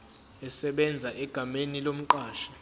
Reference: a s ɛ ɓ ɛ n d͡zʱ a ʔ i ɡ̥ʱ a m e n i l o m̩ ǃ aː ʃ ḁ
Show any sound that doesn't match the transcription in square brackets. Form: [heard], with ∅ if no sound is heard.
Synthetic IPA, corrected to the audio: [ɛ] s ɛ ɓ ɛ n d͡zʱ a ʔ [ɛ] ɡ̥ʱ a m e n i l o m̩ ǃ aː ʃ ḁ